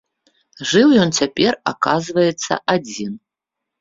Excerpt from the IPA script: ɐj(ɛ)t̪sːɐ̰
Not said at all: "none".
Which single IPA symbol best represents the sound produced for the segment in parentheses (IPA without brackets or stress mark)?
ɛ